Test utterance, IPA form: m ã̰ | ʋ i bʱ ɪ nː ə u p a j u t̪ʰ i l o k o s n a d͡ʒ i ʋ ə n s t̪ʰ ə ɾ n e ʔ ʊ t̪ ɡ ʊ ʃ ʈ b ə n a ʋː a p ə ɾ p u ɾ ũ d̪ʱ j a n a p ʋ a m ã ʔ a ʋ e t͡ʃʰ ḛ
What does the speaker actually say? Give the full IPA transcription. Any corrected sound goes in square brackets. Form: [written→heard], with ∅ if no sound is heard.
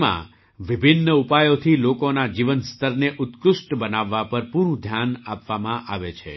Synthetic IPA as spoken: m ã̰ | ʋ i bʱ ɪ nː ə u p a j [u→o] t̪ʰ i l o k o [s→∅] n a d͡ʒ i ʋ ə n s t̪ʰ ə ɾ n e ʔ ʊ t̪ [ɡ→k] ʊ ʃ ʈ b ə n a ʋː a p ə ɾ p u ɾ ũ d̪ʱ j a n a p ʋ a m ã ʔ a ʋ e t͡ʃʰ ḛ